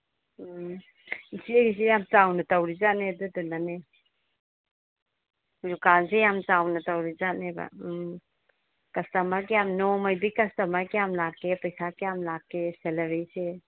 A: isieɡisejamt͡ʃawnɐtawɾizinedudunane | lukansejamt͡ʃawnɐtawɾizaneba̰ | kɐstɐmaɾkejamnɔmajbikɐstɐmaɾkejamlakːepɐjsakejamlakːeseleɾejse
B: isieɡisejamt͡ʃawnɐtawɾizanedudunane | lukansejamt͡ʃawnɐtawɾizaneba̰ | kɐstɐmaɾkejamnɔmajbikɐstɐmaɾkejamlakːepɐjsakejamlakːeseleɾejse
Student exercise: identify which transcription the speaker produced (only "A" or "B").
B